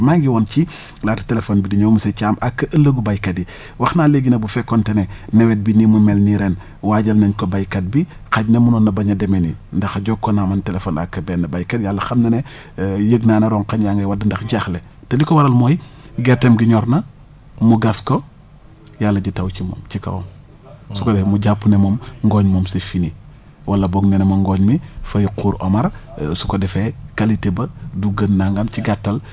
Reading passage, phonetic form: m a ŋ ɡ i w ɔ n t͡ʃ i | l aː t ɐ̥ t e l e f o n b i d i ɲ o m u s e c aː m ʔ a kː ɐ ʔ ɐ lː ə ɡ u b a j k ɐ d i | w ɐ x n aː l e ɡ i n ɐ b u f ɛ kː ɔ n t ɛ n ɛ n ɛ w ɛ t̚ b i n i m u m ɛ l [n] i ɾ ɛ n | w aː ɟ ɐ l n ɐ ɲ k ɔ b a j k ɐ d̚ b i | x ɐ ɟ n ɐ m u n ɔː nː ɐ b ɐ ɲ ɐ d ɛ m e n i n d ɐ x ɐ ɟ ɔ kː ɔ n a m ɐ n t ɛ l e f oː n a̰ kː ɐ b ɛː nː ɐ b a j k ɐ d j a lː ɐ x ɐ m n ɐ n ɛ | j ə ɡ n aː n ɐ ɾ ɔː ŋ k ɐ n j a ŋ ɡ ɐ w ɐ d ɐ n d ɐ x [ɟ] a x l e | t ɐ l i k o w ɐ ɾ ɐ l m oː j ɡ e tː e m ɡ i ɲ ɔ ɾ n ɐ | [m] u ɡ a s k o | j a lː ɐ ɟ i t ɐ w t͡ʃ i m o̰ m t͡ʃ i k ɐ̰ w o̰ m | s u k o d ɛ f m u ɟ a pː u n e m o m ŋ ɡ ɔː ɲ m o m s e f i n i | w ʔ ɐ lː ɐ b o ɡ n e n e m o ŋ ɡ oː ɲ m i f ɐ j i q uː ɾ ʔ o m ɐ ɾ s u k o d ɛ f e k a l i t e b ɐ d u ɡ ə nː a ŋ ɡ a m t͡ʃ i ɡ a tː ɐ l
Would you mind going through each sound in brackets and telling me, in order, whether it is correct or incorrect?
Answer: correct, correct, correct

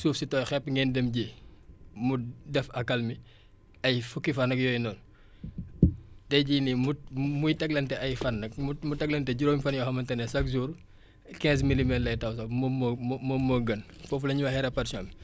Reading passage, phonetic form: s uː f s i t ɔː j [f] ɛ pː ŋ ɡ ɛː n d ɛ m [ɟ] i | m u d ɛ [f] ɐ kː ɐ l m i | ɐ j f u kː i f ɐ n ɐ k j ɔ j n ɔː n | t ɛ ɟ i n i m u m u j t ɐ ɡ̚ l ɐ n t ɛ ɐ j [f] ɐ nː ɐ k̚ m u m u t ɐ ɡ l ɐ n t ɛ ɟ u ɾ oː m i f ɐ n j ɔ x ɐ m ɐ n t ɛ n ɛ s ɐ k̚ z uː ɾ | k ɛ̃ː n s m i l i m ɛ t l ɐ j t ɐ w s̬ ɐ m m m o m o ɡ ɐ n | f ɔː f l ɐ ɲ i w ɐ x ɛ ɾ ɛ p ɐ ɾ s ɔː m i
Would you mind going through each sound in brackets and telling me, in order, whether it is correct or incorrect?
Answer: incorrect: x, correct, correct, correct

